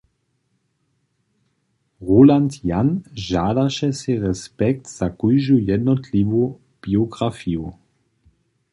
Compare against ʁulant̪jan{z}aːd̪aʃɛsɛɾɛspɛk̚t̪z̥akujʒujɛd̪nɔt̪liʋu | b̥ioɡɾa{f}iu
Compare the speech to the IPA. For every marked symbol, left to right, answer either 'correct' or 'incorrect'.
incorrect: ʒ, correct

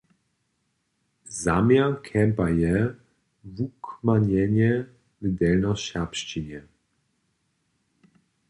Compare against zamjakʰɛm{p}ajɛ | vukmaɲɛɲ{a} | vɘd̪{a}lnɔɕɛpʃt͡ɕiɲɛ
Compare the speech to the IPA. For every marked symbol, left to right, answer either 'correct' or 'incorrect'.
correct, incorrect: ɛ, incorrect: ɛ

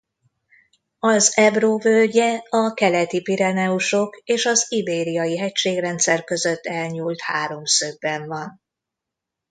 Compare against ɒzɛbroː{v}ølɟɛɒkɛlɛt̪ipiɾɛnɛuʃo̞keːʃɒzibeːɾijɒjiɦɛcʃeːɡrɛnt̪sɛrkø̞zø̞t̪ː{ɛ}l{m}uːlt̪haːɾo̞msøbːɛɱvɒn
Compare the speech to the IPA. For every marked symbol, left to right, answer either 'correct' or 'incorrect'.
correct, correct, incorrect: ɲ

